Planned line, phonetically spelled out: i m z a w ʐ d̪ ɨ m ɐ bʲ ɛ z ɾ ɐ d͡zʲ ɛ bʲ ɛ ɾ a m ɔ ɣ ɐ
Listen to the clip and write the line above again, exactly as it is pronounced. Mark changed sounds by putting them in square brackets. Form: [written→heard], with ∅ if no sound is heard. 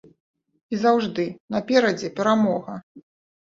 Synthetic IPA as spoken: i [m→∅] z a w ʐ d̪ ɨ [m→n] ɐ [bʲ→pʲ] ɛ [z→∅] ɾ ɐ d͡zʲ ɛ [bʲ→pʲ] ɛ ɾ a m ɔ ɣ ɐ